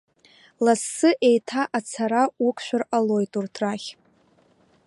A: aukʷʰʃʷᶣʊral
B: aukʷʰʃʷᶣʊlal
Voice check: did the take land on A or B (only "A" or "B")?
A